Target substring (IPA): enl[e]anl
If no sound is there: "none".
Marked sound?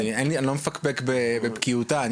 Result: i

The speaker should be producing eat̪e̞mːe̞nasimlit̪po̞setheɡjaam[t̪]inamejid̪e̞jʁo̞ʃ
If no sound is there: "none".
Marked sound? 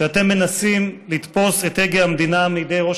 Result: d̪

